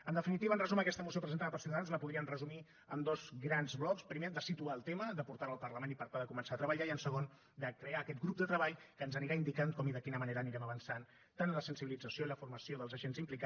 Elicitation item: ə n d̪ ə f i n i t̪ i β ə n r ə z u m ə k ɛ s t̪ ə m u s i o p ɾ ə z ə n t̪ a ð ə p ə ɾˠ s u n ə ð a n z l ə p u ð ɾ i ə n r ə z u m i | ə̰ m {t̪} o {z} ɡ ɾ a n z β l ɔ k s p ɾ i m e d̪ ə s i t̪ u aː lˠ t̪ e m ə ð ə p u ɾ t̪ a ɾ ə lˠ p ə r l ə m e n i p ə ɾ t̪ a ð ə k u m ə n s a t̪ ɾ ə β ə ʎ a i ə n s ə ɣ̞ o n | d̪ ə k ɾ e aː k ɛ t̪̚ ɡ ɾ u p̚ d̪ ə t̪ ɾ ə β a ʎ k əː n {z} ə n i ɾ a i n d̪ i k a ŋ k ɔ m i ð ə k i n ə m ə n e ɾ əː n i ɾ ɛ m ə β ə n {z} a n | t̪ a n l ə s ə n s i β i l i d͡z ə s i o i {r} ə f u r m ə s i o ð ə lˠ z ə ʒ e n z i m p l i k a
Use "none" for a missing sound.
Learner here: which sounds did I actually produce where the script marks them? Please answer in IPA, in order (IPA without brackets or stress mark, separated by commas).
d̪, z, z, s, l